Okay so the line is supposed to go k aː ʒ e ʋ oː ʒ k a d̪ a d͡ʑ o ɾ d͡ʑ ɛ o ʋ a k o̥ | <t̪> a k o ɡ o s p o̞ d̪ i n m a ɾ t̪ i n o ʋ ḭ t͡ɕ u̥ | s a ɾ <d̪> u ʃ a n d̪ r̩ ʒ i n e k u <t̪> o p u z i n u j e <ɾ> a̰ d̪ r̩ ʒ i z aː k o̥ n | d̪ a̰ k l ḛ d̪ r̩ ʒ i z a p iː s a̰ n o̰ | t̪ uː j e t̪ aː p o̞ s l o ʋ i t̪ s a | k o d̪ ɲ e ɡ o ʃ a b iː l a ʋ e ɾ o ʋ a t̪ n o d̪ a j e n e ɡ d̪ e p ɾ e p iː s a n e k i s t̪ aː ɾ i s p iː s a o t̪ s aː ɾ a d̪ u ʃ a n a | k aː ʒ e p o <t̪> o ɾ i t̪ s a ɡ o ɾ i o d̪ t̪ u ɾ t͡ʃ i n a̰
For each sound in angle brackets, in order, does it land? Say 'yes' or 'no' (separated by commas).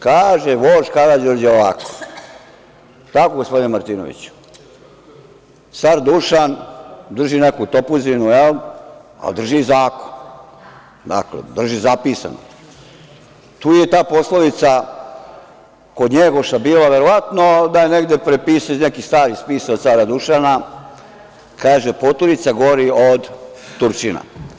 yes, yes, yes, no, yes